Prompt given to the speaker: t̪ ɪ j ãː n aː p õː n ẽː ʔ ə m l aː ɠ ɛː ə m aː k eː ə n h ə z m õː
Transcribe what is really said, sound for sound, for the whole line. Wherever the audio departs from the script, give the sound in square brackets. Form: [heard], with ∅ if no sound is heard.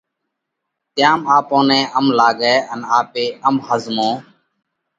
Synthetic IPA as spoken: t̪ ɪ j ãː [m] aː p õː n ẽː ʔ ə m l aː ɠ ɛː ə [n] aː [p] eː ə [m] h ə z m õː